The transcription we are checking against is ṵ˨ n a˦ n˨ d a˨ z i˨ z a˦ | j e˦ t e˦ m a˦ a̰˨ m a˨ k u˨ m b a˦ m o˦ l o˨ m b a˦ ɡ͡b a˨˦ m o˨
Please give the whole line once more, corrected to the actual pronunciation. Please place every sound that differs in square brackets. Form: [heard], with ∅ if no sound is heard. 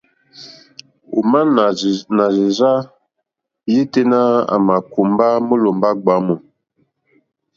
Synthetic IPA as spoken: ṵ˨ [m] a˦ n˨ [n] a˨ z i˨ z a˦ | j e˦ t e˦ [n] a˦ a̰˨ m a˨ k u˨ m b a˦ m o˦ l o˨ m b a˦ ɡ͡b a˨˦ m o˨